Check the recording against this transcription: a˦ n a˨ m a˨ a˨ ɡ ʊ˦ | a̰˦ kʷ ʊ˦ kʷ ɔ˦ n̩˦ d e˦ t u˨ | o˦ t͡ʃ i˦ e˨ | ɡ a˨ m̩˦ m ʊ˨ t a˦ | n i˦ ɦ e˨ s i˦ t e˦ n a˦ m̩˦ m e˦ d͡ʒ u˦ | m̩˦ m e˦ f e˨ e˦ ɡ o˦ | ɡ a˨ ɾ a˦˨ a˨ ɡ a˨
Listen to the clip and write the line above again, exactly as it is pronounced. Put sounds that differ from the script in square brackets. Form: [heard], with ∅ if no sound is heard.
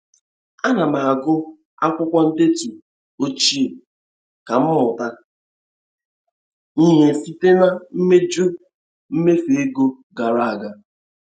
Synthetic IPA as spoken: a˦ n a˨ m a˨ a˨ ɡ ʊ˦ | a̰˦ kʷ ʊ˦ kʷ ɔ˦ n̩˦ d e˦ t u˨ | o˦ t͡ʃ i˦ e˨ | [k] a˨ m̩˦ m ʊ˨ t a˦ | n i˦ ɦ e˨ s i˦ t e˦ n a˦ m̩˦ m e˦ d͡ʒ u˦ | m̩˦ m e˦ f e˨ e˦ ɡ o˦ | ɡ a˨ ɾ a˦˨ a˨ ɡ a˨